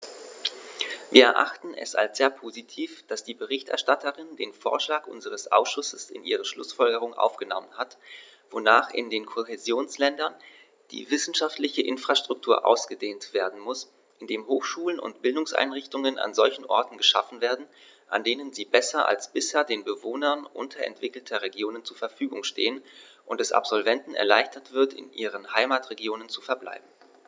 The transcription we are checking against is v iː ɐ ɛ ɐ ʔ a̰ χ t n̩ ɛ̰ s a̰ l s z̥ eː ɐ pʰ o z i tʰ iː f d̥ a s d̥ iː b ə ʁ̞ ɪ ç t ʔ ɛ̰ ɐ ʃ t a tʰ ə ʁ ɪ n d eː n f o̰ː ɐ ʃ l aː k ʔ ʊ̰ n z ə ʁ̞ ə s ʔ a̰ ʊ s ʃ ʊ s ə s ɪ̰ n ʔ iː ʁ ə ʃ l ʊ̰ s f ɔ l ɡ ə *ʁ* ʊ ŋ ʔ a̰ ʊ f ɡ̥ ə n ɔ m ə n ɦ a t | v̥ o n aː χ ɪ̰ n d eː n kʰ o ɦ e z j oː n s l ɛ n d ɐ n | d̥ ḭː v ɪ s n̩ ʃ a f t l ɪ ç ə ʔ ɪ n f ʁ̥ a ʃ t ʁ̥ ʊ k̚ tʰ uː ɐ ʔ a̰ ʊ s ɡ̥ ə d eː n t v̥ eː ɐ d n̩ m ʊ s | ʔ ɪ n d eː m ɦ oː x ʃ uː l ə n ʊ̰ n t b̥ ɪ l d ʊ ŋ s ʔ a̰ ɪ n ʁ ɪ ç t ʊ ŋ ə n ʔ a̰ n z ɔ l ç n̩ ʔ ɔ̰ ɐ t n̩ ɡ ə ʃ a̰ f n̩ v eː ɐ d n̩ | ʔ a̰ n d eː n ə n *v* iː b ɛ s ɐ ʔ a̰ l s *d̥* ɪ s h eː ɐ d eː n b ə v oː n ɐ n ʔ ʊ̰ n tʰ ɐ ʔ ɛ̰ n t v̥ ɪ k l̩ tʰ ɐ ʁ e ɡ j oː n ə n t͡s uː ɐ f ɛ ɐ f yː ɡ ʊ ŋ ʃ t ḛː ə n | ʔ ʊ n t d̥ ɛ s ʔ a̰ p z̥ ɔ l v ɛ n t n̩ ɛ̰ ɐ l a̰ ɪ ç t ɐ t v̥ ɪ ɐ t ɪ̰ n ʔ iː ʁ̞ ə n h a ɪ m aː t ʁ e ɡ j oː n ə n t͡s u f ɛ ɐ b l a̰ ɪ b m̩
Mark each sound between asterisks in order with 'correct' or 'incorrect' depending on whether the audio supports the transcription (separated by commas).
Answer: correct, incorrect, incorrect